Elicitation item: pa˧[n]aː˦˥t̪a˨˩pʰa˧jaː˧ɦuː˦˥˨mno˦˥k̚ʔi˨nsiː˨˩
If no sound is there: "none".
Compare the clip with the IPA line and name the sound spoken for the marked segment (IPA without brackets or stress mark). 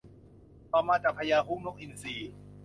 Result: m